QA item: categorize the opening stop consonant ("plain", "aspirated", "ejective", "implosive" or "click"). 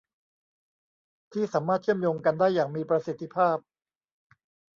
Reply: aspirated